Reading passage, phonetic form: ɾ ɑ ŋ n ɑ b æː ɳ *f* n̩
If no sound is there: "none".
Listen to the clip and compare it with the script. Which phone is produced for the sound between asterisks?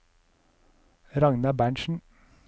ʃ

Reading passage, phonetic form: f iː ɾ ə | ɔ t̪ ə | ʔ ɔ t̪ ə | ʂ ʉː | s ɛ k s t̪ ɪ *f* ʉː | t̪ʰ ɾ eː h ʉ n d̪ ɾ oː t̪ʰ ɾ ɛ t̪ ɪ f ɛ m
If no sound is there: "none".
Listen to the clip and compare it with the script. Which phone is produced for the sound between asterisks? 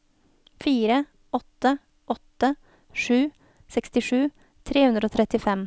ʂ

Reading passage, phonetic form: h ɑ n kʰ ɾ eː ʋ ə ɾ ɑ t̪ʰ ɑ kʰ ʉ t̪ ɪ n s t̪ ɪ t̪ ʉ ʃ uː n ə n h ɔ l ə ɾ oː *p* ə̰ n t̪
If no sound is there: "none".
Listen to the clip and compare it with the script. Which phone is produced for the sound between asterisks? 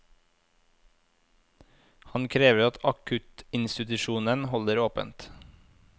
p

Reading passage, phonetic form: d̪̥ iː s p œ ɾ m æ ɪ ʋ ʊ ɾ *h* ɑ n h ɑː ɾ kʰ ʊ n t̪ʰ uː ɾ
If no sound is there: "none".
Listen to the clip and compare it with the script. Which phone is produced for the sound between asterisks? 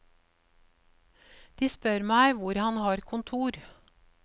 h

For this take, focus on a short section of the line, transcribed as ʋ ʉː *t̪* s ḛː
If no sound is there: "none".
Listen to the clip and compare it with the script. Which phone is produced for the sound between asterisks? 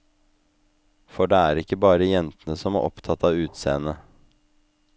t̪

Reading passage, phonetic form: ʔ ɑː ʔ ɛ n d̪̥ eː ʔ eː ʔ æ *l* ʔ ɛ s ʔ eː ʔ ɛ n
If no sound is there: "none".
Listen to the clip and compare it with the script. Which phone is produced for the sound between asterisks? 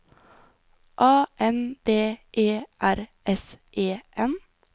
ɾ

